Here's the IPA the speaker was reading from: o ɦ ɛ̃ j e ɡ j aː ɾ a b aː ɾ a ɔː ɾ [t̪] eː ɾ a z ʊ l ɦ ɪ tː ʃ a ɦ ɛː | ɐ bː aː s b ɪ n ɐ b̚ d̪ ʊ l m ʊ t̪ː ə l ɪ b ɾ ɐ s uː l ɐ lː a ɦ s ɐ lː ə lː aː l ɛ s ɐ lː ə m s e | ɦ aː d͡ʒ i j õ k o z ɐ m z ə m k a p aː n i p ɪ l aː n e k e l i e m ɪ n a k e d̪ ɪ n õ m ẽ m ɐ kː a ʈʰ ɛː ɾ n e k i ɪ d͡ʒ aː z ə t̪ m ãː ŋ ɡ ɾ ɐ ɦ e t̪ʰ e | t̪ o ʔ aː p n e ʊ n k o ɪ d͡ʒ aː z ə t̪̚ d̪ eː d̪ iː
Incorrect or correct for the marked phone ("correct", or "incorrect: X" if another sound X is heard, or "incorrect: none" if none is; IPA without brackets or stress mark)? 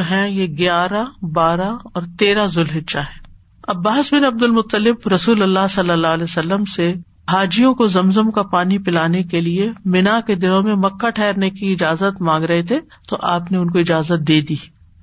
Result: correct